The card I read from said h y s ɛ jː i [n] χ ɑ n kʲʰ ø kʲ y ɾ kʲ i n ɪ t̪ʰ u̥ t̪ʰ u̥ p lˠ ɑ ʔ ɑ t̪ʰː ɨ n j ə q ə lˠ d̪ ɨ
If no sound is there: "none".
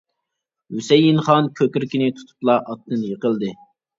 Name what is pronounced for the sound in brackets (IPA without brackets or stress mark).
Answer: n